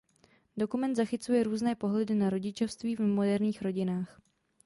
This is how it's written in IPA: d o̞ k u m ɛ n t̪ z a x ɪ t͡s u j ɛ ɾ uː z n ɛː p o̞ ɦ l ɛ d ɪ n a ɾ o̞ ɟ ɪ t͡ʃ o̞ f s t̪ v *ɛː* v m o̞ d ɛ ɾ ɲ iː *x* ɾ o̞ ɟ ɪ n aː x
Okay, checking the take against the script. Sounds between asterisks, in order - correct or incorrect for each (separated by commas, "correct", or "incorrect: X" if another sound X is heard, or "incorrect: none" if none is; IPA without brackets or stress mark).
incorrect: iː, correct